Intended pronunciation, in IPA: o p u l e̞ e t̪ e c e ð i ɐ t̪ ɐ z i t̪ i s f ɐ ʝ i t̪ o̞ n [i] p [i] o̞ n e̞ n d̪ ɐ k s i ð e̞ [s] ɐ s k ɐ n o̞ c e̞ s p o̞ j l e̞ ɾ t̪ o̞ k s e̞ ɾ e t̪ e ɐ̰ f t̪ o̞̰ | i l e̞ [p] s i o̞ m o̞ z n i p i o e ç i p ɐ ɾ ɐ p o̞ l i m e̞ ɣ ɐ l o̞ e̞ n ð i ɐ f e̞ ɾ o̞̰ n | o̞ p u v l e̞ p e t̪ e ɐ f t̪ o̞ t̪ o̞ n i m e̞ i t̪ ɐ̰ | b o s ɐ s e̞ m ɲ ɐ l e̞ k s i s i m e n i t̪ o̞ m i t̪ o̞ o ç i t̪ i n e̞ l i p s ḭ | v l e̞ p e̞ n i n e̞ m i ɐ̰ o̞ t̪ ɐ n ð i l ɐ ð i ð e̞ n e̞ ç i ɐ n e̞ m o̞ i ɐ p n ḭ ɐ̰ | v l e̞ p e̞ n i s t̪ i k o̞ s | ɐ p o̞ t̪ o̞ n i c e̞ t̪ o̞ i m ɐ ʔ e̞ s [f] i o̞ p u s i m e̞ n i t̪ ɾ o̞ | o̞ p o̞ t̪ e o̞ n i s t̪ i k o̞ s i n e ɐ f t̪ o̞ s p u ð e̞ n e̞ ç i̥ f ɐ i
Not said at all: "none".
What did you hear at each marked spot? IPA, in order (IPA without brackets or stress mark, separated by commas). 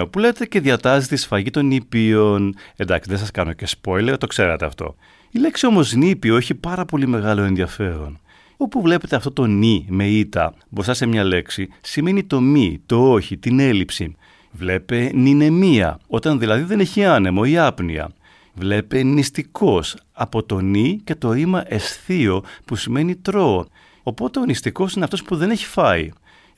i, i, s, k, θ